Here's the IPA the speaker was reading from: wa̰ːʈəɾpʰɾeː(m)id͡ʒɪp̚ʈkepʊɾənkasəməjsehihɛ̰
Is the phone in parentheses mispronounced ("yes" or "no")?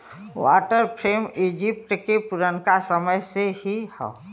no